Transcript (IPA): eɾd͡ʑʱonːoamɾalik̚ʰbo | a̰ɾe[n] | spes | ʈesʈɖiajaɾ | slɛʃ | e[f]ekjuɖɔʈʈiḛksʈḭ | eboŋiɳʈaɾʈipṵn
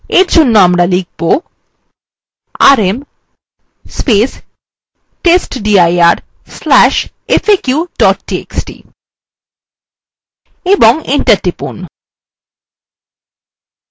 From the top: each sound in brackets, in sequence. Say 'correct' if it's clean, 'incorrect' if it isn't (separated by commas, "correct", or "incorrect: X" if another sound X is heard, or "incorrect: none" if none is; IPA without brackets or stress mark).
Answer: incorrect: m, correct